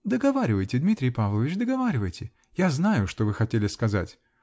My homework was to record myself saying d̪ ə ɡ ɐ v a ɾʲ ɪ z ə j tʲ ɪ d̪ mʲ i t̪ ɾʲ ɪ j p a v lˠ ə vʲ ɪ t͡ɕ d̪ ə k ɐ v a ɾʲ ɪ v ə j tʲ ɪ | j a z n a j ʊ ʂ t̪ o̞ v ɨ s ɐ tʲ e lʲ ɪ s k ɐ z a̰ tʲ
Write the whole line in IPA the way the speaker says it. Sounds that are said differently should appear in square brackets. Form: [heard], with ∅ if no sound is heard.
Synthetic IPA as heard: d̪ ə ɡ ɐ v a ɾʲ ɪ [v] ə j tʲ ɪ d̪ mʲ i t̪ ɾʲ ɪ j p a v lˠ ə vʲ ɪ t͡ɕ d̪ ə [ɡ] ɐ v a ɾʲ ɪ v ə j tʲ ɪ | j a z n a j ʊ ʂ t̪ o̞ v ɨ [x] ɐ tʲ e lʲ ɪ s k ɐ z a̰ tʲ